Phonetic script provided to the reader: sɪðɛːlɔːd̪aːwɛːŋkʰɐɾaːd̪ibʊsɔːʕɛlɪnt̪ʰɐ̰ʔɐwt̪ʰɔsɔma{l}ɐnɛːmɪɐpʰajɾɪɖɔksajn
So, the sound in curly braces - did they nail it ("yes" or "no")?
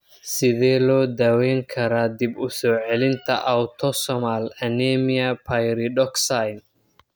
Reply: yes